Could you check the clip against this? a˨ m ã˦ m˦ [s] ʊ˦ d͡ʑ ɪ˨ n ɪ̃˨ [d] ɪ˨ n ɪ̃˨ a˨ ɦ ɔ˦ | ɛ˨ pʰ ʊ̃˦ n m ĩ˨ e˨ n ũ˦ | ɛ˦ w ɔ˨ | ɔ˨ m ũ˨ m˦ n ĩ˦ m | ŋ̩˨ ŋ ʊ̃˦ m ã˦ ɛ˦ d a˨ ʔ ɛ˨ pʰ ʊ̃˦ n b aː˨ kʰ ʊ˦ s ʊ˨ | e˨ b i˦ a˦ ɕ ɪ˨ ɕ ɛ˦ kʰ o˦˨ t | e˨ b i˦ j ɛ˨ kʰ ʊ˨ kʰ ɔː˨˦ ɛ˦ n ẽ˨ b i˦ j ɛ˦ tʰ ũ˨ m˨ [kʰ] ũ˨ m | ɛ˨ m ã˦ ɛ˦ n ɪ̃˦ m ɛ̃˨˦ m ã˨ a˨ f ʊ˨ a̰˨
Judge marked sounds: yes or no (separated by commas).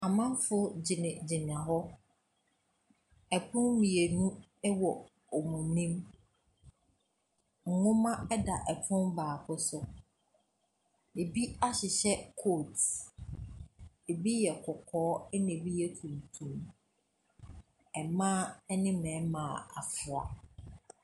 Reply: no, no, no